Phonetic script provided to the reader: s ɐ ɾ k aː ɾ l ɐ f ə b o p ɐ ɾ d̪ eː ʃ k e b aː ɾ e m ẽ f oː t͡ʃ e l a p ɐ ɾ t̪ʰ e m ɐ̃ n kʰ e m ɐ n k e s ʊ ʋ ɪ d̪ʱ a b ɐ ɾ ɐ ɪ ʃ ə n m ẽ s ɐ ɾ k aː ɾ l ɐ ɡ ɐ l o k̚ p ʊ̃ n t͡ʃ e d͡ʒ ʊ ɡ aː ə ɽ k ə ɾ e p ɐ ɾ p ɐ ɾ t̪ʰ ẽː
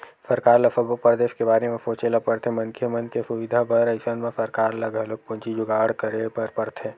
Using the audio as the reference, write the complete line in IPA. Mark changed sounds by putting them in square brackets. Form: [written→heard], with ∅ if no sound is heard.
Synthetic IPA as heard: s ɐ ɾ k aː ɾ l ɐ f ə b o p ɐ ɾ d̪ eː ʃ k e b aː ɾ e m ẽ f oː t͡ʃ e l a p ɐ ɾ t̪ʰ e m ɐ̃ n kʰ e m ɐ n k e s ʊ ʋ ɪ d̪ʱ a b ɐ ɾ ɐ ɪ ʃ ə n m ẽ s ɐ ɾ k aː ɾ l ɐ ɡ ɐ l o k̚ p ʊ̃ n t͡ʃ [e→i] d͡ʒ ʊ ɡ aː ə ɽ k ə ɾ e p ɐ ɾ p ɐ ɾ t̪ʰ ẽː